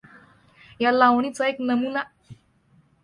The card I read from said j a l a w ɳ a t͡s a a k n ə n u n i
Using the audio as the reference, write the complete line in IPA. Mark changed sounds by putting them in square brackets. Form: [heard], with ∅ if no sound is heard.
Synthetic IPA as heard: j a l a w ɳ [i] t͡s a [e] k n ə [m] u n [a]